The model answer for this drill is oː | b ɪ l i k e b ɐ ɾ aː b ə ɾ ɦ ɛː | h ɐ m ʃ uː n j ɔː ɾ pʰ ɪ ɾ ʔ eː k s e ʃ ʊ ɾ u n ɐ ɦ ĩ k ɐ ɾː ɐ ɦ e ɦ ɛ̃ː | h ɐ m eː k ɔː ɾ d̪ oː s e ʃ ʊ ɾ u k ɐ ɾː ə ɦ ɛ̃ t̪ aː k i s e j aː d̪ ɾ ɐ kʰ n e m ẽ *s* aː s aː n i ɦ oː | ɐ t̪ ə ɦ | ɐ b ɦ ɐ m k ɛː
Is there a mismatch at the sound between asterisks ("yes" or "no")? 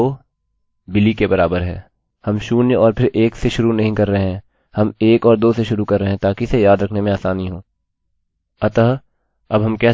yes